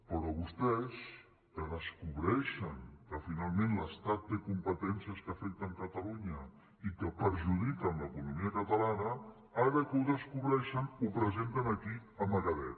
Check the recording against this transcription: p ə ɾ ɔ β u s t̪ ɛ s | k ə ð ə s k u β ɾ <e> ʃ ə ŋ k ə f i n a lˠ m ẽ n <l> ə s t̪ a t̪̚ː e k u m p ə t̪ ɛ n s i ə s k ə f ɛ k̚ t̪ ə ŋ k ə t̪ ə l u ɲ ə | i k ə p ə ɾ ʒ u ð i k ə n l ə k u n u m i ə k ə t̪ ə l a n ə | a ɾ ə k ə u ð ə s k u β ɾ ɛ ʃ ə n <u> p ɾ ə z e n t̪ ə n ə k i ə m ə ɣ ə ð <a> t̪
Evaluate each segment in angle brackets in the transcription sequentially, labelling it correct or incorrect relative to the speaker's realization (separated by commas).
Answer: incorrect, correct, correct, incorrect